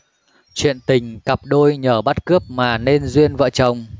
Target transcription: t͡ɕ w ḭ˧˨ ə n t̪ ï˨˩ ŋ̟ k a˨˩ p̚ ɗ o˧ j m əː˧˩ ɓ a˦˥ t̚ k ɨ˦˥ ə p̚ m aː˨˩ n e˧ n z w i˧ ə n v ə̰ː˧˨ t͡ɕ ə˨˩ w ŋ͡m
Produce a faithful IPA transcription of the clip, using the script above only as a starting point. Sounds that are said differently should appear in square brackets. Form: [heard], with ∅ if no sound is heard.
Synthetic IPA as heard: t͡ɕ w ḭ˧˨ ə n t̪ ï˨˩ ŋ̟ k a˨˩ p̚ ɗ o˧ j [ɲ] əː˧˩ ɓ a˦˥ t̚ k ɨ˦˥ ə p̚ m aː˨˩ n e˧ n z w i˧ ə n v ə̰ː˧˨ t͡ɕ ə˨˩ w ŋ͡m